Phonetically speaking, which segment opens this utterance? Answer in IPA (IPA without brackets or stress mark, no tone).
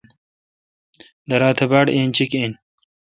d̪